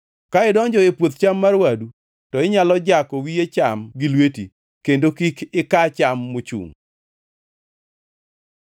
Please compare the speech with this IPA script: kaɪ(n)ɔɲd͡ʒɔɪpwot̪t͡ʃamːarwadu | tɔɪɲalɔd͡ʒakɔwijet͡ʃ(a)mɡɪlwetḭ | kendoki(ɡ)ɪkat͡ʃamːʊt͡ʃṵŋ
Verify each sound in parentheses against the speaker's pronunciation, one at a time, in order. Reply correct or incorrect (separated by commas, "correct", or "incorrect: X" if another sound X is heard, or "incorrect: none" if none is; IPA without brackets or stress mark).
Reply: incorrect: d, correct, incorrect: k